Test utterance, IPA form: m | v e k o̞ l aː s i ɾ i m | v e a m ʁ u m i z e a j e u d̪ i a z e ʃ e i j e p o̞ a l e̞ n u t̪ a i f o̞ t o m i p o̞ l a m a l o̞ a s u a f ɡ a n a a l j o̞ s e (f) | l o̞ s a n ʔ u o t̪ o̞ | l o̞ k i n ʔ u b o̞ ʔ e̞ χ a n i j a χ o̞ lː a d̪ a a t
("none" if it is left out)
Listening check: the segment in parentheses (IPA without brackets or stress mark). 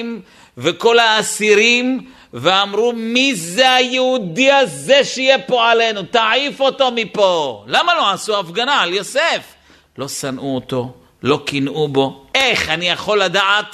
f